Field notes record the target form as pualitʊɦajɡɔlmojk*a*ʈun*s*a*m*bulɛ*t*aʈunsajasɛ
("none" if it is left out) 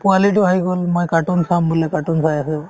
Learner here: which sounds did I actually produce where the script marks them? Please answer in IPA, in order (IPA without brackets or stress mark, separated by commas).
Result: a, s, m, k